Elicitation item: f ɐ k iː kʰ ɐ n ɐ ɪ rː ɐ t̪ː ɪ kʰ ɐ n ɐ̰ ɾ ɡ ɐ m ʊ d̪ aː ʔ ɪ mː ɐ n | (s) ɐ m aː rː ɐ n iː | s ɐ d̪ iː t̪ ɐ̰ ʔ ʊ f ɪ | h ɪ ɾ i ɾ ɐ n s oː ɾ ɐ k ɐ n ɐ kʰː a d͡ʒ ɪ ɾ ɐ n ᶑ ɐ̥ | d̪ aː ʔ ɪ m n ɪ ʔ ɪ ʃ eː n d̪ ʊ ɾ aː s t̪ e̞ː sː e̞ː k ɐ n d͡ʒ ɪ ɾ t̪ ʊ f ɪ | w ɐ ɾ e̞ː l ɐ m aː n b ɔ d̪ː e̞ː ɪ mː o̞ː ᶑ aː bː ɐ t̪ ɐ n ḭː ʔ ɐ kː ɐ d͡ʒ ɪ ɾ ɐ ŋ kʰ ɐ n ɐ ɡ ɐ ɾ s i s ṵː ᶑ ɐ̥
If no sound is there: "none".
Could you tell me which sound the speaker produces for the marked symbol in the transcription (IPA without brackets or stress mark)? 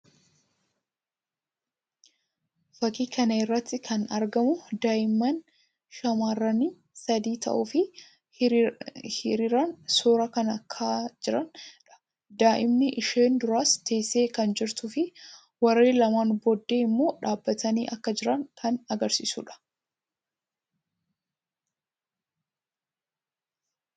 ʃ